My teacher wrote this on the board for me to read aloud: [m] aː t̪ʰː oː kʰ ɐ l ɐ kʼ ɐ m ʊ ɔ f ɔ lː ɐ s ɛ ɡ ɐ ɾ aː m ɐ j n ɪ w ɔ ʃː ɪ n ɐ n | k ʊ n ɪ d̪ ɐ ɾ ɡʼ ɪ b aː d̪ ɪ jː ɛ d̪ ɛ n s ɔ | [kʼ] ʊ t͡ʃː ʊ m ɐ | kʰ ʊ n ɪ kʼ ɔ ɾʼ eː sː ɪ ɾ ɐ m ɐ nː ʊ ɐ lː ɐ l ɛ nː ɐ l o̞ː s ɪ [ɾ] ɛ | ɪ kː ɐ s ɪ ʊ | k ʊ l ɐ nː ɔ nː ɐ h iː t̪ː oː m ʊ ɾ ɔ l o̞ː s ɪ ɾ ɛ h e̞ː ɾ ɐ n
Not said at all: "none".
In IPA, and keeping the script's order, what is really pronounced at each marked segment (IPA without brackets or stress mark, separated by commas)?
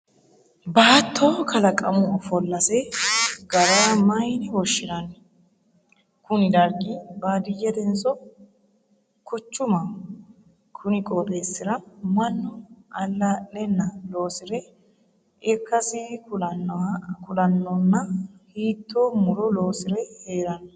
b, k, ɾ